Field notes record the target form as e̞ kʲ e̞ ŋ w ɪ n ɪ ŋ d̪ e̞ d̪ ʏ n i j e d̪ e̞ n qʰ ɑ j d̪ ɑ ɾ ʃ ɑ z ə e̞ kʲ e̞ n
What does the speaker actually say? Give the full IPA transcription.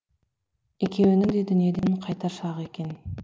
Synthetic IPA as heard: e̞ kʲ e̞ w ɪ n ɪ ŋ d̪ e̞ d̪ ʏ n i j e d̪ e̞ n qʰ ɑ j t̪ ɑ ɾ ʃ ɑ ʁ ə e̞ kʲ e̞ n